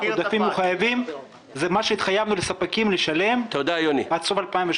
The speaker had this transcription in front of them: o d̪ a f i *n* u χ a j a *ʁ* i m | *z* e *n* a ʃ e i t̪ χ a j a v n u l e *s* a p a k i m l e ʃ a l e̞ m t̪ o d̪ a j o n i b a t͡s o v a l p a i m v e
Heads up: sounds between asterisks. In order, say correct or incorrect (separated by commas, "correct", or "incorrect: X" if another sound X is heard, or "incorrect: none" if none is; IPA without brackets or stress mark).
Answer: incorrect: m, incorrect: v, correct, incorrect: m, correct